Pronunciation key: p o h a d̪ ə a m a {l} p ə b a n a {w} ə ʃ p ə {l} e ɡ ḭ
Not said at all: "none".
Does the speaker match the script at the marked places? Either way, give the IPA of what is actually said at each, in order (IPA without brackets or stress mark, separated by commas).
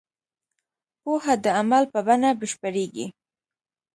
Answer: l, b, ɾ